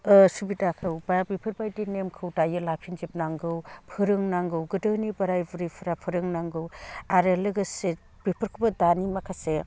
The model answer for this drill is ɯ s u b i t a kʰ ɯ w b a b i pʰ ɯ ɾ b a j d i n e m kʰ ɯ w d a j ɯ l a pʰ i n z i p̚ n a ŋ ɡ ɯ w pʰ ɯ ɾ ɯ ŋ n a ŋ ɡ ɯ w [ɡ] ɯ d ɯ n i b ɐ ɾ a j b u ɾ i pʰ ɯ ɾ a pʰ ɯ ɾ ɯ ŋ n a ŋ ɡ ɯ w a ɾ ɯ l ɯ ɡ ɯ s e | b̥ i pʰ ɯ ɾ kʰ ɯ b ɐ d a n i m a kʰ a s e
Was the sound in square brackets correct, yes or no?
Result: yes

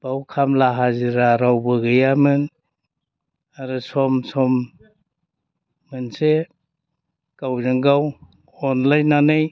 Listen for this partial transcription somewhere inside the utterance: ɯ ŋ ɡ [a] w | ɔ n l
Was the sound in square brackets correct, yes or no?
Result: yes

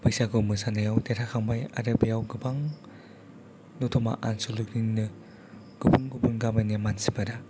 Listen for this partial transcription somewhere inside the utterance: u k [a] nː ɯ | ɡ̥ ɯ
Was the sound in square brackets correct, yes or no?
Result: no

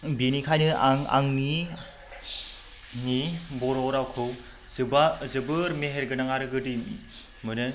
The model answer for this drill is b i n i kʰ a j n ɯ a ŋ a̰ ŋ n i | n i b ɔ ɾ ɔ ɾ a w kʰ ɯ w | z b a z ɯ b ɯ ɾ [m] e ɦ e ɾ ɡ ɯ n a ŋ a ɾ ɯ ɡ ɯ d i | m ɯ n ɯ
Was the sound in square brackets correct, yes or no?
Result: yes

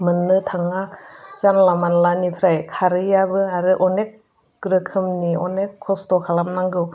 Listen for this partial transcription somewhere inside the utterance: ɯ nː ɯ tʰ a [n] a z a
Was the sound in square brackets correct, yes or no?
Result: no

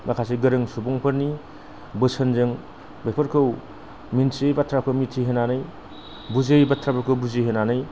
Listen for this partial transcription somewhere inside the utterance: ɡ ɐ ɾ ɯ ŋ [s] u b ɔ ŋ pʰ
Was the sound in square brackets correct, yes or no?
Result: yes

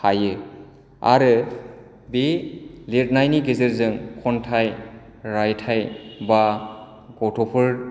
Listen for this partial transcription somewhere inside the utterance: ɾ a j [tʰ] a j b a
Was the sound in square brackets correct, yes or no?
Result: yes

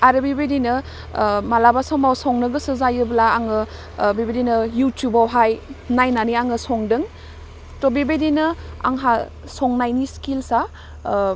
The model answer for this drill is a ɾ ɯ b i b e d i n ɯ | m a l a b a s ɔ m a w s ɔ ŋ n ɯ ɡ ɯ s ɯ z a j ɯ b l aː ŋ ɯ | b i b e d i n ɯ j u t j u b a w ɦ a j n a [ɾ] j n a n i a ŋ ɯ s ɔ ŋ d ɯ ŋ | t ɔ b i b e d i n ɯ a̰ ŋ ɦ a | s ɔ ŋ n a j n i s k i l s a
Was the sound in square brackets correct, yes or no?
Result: no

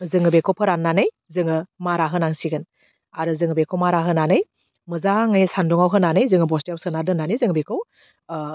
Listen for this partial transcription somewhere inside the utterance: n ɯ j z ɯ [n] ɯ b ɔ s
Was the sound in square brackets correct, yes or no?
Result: no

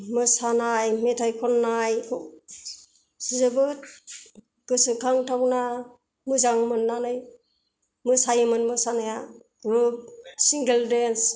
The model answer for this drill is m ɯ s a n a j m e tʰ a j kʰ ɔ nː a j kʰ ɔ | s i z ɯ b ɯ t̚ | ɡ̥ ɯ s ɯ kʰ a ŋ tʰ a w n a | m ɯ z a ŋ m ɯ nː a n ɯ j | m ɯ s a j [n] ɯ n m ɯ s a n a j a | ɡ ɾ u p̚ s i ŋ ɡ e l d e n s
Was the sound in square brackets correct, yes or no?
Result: no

